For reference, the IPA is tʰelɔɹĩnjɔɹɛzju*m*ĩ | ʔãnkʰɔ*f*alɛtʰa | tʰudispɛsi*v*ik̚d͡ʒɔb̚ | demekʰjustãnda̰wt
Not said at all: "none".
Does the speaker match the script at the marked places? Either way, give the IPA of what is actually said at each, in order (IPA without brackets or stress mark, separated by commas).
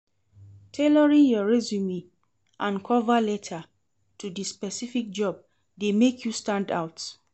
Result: m, v, f